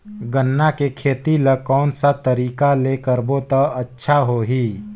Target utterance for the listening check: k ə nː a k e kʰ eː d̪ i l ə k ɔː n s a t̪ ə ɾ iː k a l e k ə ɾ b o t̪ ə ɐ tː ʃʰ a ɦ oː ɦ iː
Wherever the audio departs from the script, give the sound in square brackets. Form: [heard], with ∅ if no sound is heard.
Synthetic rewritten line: [ɡ] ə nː a k e kʰ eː [t̪] i l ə k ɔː n s a t̪ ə ɾ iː k a l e k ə ɾ b o t̪ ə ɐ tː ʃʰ a ɦ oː ɦ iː